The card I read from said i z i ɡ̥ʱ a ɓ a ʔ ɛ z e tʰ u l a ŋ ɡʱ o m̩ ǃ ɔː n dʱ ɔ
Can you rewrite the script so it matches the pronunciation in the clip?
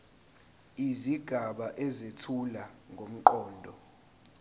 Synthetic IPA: i z i ɡ̥ʱ a ɓ a ʔ ɛ z e tʰ u l a ŋ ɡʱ o m̩ ǃ ɔː n dʱ ɔ

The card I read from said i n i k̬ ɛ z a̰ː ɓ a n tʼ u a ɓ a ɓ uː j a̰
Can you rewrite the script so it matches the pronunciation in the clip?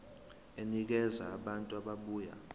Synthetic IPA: e n i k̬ ɛ z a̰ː ɓ a n tʼ u a ɓ a ɓ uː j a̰

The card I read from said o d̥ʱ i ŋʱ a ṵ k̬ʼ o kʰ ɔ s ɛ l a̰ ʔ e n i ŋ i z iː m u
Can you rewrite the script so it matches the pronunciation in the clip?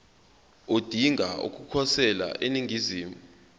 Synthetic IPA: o d̥ʱ i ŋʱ a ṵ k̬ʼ u kʰ ɔ s ɛ l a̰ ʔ e n i ŋ i z iː m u

